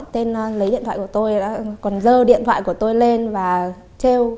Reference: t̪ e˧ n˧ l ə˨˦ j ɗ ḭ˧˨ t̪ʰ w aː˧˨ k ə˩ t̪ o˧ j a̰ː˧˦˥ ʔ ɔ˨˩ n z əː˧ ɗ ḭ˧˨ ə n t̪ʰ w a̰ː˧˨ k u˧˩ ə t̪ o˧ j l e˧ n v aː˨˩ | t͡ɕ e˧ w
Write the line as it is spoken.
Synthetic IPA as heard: t̪ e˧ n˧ l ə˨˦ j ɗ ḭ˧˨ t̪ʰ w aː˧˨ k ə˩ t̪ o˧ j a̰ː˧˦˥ k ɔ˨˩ n z əː˧ ɗ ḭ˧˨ ə n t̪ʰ w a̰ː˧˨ k u˧˩ ə t̪ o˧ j l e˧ n v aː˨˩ | t͡ɕ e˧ w